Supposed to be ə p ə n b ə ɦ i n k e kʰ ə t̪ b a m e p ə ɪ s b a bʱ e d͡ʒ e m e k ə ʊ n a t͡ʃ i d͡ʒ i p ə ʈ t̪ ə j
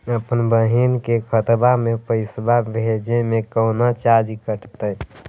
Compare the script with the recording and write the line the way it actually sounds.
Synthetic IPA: ə p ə n b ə ɦ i n k e kʰ ə t̪ b a m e p ə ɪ s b a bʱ e d͡ʒ e m e k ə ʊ n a t͡ʃ a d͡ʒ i k ə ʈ t̪ ə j